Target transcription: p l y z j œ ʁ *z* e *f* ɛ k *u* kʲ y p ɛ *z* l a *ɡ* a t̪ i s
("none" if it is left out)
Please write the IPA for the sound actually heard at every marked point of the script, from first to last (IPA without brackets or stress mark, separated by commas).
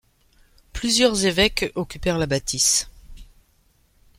z, v, ɔ, ʁ, b